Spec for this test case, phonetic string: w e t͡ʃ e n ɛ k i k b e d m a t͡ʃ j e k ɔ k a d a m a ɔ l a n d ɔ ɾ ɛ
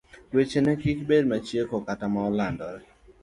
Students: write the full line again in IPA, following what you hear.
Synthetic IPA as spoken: w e t͡ʃ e n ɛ k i k b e d m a t͡ʃ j e k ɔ k a t a m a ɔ l a n d ɔ ɾ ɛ